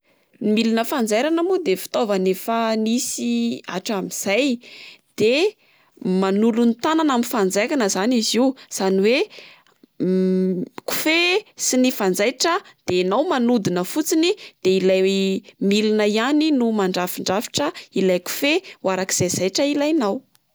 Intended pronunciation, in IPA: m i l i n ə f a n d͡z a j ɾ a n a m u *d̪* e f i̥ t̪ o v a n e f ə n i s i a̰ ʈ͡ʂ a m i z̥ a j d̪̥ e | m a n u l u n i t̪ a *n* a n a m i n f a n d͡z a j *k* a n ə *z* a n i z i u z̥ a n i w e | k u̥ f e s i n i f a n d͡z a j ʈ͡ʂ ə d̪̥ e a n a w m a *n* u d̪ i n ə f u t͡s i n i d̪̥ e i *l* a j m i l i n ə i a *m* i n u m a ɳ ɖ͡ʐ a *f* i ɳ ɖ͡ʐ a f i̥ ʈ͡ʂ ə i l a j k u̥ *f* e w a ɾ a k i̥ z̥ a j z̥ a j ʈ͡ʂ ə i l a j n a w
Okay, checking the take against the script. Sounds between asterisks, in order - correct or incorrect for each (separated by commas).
correct, correct, correct, correct, correct, correct, incorrect, correct, correct